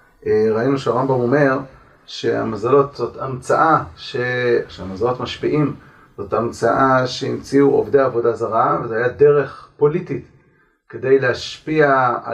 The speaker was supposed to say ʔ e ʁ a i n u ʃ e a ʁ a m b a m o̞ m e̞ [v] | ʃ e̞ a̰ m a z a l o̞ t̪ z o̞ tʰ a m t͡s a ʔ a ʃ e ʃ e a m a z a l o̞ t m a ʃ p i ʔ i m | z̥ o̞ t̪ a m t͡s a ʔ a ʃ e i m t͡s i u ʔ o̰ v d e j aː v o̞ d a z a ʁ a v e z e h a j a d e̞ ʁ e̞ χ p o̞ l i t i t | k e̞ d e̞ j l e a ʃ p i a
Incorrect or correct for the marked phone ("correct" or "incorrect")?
incorrect